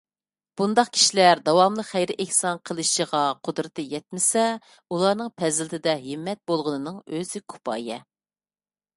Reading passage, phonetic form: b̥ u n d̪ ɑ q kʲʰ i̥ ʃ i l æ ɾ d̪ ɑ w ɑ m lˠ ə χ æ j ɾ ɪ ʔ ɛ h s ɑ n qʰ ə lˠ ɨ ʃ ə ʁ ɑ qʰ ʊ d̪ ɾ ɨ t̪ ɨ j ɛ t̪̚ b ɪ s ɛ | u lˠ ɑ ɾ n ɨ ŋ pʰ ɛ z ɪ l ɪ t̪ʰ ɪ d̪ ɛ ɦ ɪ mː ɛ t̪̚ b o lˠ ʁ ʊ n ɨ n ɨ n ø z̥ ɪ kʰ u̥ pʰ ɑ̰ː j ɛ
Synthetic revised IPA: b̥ u n d̪ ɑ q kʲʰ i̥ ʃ i l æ ɾ d̪ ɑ w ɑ m lˠ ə χ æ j ɾ ɪ ʔ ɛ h s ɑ n qʰ ə lˠ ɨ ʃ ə ʁ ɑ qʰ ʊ d̪ ɾ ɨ t̪ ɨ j ɛ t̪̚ m ɪ s ɛ | u lˠ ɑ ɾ n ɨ ŋ pʰ ɛ z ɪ l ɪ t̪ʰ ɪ d̪ ɛ ɦ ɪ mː ɛ t̪̚ b o lˠ ʁ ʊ n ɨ n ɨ ŋ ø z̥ ɪ kʰ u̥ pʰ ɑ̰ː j ɛ